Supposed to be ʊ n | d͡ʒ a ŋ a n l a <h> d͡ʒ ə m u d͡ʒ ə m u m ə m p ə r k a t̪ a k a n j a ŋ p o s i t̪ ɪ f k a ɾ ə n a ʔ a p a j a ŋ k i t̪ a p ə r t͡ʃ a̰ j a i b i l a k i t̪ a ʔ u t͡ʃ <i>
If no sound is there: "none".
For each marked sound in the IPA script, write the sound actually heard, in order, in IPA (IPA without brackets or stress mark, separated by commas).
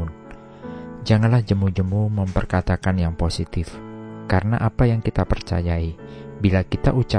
h, a